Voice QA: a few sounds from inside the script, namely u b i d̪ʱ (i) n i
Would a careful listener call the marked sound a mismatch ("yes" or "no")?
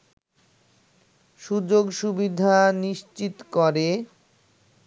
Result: yes